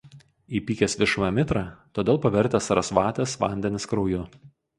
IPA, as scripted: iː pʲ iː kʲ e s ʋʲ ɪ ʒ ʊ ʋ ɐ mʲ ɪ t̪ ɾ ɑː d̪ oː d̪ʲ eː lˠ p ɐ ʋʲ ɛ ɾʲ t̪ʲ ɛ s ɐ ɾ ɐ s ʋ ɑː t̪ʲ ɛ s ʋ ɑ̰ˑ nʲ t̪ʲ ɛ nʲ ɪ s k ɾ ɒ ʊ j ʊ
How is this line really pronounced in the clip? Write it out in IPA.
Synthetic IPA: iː pʲ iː kʲ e s ʋʲ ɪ ʃ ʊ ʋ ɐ mʲ ɪ t̪ ɾ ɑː t̪ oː d̪ʲ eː lˠ p ɐ ʋʲ ɛ ɾʲ t̪ʲ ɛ s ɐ ɾ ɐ s ʋ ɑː t̪ʲ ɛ s ʋ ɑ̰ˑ nʲ d̪ʲ ɛ nʲ ɪ s k ɾ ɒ ʊ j ʊ